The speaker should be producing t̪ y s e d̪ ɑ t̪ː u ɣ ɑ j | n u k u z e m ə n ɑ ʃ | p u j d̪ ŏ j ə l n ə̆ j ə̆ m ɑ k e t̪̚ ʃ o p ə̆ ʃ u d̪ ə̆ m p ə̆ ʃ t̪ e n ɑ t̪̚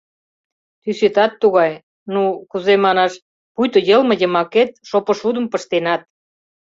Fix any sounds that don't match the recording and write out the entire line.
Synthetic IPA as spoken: t̪ y s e t̪ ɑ t̪ː u ɣ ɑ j | n u k u z e m ɑ n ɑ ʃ | p u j t̪ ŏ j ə l m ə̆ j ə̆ m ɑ k e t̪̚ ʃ o p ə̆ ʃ u d̪ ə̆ m p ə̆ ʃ t̪ e n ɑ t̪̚